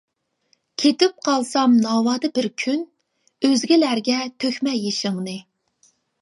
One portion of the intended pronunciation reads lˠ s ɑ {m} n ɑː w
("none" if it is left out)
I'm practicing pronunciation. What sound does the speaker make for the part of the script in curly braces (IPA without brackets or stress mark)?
m